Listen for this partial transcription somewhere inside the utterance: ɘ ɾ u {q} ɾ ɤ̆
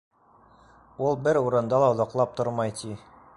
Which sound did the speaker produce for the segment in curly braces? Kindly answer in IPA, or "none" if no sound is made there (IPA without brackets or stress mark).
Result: none